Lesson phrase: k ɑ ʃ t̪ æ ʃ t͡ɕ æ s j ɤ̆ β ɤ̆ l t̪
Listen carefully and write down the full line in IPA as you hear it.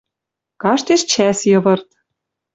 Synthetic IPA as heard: k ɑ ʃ t̪ e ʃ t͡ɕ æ s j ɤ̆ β ɤ̆ r t̪